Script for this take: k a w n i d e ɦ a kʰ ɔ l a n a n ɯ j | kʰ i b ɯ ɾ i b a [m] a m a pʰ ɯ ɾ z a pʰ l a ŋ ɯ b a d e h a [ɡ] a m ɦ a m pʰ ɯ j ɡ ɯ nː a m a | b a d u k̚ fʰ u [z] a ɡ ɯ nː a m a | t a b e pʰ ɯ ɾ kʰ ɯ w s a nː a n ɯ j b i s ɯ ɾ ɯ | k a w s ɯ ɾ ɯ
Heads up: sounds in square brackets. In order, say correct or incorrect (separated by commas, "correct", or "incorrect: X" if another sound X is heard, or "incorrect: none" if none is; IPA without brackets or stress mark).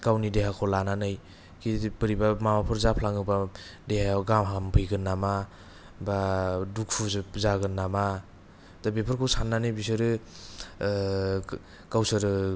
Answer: correct, correct, correct